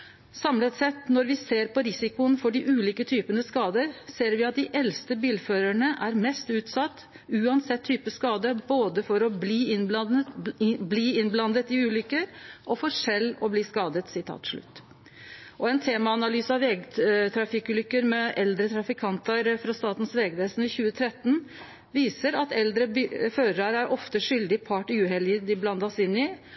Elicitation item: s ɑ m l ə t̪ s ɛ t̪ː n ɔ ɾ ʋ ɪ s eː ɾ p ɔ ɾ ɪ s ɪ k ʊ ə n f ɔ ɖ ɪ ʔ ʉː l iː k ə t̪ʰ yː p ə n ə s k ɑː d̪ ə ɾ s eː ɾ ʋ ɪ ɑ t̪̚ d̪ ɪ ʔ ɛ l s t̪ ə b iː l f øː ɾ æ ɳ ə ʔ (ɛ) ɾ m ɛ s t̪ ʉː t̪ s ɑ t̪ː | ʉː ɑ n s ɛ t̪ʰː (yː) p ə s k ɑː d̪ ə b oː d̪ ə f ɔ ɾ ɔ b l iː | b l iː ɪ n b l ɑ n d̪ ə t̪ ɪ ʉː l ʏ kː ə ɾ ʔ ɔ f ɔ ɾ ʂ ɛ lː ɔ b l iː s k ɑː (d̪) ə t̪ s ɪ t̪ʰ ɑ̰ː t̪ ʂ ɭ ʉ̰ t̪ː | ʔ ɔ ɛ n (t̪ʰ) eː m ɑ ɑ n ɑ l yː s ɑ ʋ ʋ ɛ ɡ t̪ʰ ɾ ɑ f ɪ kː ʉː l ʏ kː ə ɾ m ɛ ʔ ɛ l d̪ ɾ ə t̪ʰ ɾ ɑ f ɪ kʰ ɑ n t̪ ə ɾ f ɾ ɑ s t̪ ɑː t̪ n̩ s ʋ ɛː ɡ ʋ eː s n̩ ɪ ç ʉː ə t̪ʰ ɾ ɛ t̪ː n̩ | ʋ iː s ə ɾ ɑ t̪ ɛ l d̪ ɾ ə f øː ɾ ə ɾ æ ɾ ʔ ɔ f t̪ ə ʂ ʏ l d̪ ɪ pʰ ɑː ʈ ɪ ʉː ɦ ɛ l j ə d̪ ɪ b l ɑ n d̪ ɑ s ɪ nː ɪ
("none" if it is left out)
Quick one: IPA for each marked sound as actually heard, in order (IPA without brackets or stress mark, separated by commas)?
æ, yː, d̪, t̪ʰ